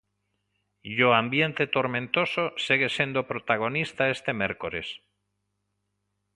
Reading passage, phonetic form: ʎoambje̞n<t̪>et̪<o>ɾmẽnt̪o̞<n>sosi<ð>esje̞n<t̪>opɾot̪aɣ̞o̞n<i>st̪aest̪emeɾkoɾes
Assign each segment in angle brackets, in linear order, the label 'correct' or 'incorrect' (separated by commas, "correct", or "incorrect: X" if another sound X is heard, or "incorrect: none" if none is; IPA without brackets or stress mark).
correct, correct, incorrect: none, incorrect: ɣ, incorrect: d̪, correct